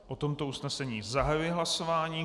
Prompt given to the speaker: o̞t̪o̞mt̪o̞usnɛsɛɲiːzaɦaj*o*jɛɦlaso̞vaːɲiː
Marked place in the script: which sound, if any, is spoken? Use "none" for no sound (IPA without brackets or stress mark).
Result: u